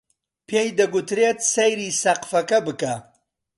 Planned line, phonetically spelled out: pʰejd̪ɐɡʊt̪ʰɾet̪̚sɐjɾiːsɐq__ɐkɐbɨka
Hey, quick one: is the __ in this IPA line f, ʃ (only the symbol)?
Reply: f